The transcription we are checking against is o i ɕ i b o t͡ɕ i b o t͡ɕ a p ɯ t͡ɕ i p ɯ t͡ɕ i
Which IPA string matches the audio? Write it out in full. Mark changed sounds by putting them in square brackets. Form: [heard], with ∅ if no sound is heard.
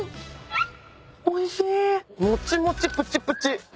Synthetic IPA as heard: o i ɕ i [m] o t͡ɕ i [m] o t͡ɕ [i] p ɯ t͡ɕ i p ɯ t͡ɕ i